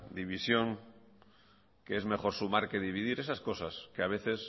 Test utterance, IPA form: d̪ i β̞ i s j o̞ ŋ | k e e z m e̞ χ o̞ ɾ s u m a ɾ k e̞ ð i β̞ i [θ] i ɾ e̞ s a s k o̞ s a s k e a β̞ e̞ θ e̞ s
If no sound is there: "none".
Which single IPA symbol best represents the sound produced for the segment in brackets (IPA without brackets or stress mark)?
ð